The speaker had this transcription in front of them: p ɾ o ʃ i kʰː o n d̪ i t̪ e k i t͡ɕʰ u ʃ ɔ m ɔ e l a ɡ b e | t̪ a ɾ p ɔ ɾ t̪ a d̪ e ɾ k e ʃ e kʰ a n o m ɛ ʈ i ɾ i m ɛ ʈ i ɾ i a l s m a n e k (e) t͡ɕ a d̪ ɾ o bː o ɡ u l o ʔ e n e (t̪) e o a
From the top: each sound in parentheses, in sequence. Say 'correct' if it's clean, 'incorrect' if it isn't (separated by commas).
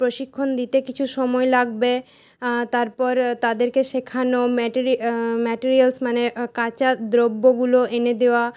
incorrect, incorrect